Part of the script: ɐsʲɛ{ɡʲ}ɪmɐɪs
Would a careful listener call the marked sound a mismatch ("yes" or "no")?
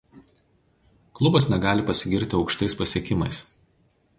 yes